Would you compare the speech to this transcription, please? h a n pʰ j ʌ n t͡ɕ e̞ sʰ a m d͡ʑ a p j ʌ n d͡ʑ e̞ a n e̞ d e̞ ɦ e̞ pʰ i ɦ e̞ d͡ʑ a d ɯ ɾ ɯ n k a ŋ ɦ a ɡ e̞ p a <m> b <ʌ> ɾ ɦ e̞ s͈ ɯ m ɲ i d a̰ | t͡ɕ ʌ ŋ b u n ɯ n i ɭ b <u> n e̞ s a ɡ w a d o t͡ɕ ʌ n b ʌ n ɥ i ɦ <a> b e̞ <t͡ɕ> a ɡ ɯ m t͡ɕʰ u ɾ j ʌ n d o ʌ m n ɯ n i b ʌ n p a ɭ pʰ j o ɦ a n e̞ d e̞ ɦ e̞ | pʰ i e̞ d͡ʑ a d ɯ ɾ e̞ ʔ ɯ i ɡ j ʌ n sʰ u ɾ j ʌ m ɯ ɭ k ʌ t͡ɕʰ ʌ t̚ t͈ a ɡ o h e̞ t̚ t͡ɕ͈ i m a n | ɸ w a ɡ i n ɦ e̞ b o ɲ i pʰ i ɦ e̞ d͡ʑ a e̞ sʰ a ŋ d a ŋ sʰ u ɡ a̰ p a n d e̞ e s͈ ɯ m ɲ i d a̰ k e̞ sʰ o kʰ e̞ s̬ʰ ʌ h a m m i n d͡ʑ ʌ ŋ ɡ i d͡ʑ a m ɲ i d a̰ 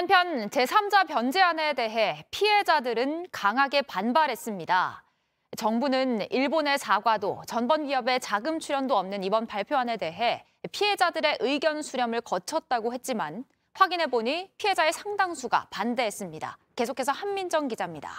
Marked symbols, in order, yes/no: no, no, no, no, yes

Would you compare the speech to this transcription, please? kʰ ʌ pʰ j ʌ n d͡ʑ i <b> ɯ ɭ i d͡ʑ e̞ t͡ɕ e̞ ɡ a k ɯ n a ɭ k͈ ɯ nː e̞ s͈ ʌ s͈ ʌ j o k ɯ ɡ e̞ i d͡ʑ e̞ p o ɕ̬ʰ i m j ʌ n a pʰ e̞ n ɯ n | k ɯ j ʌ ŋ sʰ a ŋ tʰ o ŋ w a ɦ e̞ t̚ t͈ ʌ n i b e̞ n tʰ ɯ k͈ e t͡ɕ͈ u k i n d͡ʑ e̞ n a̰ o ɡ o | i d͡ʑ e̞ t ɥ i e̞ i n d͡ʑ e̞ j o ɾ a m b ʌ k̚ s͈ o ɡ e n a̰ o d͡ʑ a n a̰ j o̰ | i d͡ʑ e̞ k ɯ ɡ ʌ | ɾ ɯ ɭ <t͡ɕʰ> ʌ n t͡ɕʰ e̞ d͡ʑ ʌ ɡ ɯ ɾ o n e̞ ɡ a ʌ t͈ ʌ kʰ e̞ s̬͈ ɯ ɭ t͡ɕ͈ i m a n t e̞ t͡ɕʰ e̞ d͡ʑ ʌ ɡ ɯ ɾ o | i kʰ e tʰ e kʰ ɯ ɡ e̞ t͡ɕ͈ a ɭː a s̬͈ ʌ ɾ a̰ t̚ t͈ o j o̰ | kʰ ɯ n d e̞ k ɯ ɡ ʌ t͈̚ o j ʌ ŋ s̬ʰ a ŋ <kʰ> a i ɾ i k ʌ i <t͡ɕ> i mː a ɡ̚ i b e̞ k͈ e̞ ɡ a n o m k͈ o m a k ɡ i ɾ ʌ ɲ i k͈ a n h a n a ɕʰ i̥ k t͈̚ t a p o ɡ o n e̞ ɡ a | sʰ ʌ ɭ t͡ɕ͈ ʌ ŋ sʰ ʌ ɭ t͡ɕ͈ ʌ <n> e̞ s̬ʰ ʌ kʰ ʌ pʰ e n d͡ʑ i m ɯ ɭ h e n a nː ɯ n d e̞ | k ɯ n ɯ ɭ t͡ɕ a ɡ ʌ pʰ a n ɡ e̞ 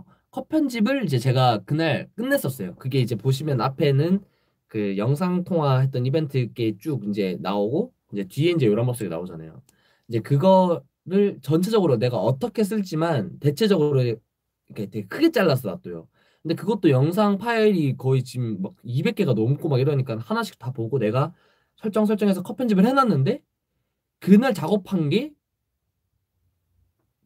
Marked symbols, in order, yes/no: yes, no, no, yes, no

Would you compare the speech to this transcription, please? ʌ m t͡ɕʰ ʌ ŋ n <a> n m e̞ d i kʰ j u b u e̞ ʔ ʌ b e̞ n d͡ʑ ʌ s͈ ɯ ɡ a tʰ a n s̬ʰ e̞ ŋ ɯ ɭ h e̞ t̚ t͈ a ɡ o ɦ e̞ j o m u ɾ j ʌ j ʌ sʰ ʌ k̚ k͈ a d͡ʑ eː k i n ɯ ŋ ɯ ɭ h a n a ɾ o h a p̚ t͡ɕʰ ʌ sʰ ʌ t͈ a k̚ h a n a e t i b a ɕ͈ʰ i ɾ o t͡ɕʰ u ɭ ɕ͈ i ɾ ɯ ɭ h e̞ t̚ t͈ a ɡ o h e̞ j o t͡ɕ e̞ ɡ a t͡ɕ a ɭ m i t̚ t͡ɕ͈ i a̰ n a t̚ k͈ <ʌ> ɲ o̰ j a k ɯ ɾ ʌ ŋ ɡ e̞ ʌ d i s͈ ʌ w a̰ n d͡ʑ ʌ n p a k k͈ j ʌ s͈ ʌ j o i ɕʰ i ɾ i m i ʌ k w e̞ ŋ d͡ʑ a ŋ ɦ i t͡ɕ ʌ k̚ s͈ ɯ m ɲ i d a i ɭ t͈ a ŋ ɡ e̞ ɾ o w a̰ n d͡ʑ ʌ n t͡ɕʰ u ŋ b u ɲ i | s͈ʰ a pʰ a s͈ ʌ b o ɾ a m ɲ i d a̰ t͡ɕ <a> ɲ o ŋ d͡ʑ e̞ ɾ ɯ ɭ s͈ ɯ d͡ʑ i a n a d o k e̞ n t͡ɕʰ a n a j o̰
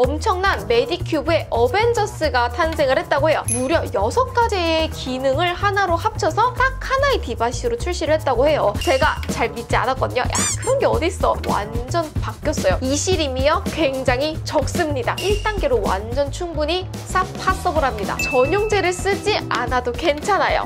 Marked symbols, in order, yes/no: yes, yes, no

